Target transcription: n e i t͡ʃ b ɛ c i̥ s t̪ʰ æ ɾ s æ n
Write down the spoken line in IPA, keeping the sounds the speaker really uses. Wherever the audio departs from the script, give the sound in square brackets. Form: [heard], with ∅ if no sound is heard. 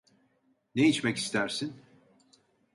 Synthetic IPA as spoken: n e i t͡ʃ [m] ɛ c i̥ s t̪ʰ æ ɾ s [i] n